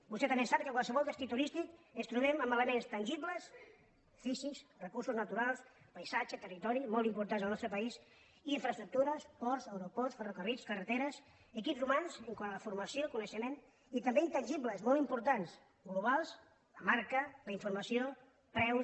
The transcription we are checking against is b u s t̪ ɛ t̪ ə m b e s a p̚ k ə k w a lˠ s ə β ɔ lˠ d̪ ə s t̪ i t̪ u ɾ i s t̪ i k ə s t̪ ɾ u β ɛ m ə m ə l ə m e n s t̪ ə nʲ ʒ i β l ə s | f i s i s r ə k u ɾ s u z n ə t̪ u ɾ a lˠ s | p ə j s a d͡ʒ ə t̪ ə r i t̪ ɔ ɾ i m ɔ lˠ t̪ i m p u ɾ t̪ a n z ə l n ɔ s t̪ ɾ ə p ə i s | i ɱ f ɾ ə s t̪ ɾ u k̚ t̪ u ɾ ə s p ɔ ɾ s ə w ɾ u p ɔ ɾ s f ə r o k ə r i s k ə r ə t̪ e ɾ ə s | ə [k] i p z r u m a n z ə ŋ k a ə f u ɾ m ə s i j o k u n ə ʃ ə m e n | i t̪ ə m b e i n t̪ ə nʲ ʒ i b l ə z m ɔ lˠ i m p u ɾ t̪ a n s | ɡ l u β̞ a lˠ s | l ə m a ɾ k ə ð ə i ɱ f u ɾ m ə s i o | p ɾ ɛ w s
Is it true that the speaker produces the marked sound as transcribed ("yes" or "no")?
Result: yes